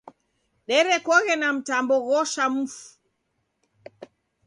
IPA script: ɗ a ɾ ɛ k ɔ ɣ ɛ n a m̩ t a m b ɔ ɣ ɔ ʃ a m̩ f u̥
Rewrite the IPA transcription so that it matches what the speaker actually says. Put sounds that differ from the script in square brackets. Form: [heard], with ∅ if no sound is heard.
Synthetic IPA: ɗ [ɛ] ɾ ɛ k ɔ ɣ ɛ n a m̩ t a m b ɔ ɣ ɔ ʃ a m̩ f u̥